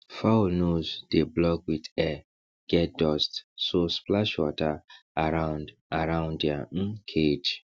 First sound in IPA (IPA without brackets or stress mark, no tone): f